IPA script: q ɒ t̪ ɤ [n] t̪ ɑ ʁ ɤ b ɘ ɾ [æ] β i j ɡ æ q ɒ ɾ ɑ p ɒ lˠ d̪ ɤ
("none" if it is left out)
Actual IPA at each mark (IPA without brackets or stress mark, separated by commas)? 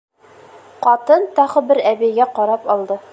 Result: n, æ